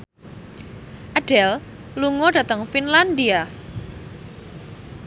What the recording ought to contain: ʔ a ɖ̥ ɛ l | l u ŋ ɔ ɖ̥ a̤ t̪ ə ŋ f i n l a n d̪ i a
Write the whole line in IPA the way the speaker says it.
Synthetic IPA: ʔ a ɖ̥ ɛ l | l u ŋ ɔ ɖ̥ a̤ t̪ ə ŋ f i n l a n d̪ i a